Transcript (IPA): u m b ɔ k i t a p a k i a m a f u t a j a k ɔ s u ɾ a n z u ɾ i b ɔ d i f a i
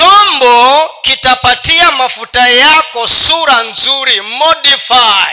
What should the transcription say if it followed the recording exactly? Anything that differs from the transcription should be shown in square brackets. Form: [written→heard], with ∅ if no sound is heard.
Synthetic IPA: [u→ɔ] m b ɔ k i t a p a [k→t] i a m a f u t a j a k ɔ s u ɾ a n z u ɾ i [b→m] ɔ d i f a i